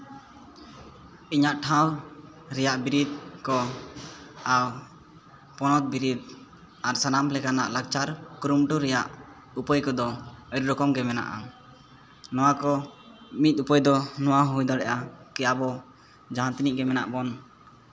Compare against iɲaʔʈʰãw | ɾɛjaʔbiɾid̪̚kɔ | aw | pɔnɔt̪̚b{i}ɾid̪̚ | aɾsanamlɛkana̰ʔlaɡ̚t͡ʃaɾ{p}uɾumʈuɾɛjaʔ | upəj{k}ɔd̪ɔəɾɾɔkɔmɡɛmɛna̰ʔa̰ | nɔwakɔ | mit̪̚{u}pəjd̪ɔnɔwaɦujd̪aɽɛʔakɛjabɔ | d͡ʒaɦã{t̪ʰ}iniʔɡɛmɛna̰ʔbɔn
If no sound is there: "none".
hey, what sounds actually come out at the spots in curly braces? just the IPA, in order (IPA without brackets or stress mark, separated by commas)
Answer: i, k, k, u, t̪